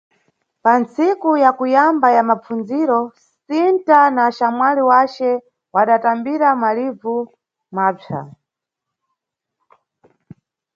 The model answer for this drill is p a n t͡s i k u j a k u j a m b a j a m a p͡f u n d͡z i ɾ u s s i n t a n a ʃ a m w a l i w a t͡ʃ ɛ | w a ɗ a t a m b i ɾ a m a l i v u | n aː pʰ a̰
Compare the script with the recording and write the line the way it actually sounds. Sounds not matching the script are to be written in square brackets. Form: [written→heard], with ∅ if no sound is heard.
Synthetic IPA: p a n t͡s i k u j a k u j a m b a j a m a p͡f u n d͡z i ɾ [u→ɔ] s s i n t a n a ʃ a m w a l i w a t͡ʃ ɛ | w a ɗ a t a m b i ɾ a m a l i v u | [n→m] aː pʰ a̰